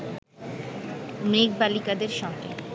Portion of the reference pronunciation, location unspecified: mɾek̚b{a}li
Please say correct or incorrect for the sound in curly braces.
correct